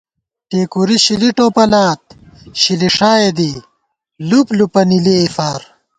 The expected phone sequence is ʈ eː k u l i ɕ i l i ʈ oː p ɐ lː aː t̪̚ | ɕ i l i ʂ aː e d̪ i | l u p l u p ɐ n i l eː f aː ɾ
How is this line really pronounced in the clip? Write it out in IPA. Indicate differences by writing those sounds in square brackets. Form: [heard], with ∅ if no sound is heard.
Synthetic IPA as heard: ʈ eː k u [ɾ] i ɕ i l i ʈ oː p ɐ [l] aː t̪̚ | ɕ i l i ʂ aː e d̪ i | l u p l u p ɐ n i l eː f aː ɾ